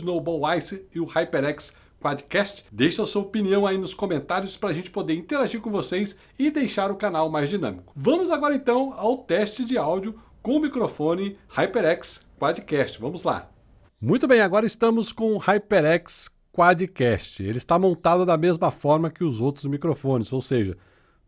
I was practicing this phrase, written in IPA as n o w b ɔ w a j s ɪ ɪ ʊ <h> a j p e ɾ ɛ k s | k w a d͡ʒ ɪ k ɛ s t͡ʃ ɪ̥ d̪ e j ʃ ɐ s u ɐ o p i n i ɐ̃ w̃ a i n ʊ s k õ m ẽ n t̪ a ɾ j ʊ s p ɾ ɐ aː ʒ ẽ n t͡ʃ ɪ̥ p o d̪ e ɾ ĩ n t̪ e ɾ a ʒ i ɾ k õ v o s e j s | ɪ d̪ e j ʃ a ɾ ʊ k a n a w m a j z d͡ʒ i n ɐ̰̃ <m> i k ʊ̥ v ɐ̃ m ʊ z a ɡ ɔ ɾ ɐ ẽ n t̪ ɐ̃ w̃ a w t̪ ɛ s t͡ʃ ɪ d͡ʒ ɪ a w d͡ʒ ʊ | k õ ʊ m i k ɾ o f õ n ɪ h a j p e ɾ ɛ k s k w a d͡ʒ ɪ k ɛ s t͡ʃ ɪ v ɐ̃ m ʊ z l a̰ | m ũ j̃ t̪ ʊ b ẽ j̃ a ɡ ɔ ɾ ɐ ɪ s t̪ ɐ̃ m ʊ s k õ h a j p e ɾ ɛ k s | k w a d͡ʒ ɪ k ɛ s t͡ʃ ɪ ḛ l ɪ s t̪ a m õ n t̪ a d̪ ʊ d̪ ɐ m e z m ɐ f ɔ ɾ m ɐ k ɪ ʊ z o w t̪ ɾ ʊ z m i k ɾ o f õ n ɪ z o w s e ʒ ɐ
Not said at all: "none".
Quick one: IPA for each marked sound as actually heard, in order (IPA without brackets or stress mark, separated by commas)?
h, m